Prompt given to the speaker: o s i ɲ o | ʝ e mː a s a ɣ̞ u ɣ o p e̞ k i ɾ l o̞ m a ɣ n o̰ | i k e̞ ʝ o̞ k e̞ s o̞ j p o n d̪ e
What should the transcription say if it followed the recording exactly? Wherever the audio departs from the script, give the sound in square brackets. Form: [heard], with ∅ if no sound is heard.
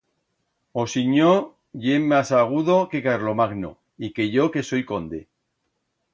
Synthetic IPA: o s i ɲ o | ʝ e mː a s a ɣ̞ u [ð] o [k] e̞ k [a] ɾ l o̞ m a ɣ n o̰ | i k e̞ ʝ o̞ k e̞ s o̞ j [k] o n d̪ e